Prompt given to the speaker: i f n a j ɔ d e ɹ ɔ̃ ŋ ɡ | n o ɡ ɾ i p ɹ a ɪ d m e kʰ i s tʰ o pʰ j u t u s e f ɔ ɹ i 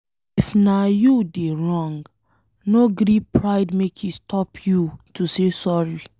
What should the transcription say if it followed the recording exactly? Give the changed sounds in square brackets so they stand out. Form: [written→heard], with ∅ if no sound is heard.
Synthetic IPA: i f n a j [ɔ→u] d e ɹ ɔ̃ ŋ ɡ | n o ɡ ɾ i p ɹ a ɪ d m e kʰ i s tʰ [o→ɔ] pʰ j u t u s e [f→s] ɔ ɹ i